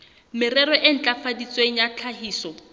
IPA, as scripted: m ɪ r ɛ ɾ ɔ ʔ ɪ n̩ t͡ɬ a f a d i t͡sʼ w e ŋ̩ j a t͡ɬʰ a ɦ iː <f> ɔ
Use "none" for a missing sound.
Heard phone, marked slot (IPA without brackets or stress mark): s